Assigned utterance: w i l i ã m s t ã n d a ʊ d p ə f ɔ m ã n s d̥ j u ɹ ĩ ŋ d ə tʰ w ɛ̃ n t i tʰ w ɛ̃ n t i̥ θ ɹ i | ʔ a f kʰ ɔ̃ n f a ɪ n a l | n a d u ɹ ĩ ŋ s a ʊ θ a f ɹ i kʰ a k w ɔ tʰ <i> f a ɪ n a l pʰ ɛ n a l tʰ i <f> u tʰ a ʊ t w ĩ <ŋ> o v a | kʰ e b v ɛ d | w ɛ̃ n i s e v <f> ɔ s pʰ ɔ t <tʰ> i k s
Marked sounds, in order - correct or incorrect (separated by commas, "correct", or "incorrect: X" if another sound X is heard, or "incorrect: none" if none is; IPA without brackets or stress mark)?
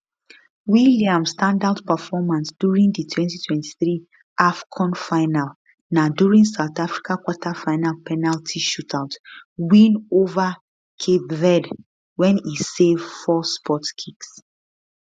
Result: incorrect: a, incorrect: ʃ, incorrect: n, correct, incorrect: kʰ